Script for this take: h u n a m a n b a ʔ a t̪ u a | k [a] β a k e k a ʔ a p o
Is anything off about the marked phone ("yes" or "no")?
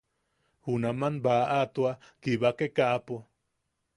yes